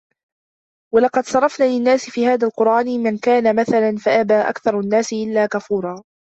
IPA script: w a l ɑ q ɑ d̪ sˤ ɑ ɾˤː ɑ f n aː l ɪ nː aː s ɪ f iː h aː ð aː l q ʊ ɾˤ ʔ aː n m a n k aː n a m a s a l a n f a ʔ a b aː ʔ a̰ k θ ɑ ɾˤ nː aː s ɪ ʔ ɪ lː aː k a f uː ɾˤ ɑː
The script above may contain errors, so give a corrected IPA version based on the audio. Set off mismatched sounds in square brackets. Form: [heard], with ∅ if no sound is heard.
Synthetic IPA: w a l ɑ q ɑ d̪ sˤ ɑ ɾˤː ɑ f n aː l ɪ nː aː s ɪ f iː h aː ð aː l q ʊ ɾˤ ʔ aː n m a n k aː n a m a [θ] a l a n f a ʔ a b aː ʔ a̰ k θ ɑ ɾˤ nː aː s ɪ ʔ ɪ lː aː k a f uː ɾˤ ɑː